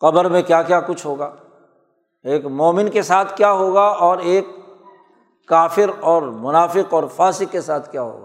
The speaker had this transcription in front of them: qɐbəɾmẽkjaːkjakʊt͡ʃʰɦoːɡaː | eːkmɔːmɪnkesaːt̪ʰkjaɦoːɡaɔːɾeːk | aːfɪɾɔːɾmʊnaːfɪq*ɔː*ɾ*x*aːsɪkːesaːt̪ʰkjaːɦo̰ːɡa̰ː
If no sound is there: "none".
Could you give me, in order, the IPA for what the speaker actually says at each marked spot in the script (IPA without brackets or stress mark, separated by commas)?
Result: ɔː, f